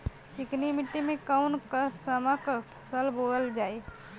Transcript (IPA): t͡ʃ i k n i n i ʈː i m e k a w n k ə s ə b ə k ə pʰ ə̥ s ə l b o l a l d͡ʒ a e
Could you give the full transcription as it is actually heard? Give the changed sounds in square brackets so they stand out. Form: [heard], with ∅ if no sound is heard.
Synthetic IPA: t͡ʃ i k n i [m] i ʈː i m e k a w n k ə s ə [m] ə k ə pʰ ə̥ s ə l b o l [ə] l d͡ʒ a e